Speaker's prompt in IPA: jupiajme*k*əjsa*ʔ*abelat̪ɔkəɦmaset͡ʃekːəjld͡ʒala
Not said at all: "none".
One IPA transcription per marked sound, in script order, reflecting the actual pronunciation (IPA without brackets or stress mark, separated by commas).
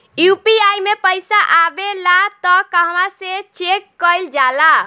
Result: p, ʔ